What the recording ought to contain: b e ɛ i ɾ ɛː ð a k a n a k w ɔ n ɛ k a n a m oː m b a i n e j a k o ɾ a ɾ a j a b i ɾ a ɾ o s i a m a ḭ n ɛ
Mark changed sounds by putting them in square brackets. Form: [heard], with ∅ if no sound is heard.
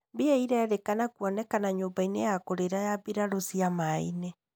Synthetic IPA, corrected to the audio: b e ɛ i ɾ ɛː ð [e] k a n a k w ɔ n ɛ k a n a [ɲ] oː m b a i n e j a k o ɾ [e] ɾ a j a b i ɾ a ɾ o s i a m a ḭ n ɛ